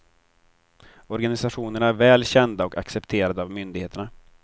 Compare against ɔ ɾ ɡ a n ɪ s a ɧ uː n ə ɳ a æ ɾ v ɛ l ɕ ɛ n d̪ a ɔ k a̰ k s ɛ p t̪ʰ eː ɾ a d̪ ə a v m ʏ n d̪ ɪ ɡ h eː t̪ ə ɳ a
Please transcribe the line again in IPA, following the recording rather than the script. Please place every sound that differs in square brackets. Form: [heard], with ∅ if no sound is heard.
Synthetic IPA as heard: ɔ ɾ ɡ a n ɪ s a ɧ uː n ə ɳ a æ ɾ v [ɛː] l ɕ ɛ n d̪ a ɔ k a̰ k s ɛ p t̪ʰ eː ɾ a d̪ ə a v m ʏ n d̪ ɪ ɡ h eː t̪ ə ɳ a